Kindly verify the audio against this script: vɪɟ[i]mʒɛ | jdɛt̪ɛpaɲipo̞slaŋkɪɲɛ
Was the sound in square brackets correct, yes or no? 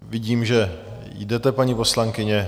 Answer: no